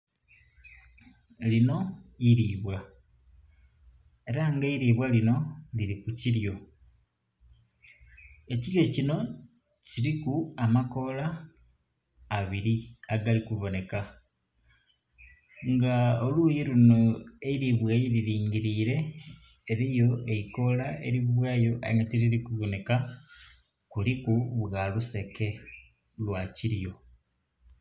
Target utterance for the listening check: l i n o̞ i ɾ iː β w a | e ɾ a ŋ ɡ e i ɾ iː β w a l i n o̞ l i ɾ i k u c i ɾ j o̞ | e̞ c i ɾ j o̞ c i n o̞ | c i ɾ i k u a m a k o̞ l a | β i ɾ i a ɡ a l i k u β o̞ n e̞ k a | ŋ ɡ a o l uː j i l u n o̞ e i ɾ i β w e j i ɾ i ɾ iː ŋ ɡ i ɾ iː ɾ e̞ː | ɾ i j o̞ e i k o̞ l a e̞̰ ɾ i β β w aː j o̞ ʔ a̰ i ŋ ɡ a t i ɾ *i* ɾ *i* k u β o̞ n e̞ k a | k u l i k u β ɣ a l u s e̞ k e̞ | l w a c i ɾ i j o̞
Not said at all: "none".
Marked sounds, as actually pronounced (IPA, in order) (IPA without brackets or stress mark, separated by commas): i, i